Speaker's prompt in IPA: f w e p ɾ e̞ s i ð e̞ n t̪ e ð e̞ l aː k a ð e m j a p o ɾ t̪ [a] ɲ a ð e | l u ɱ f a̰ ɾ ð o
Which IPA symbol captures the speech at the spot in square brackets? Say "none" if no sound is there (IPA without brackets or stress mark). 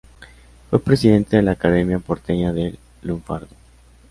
e